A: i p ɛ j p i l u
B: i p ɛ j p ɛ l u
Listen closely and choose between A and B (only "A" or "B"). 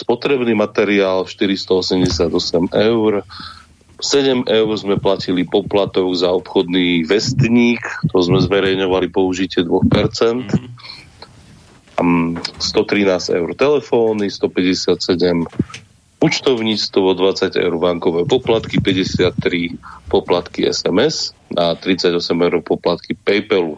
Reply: B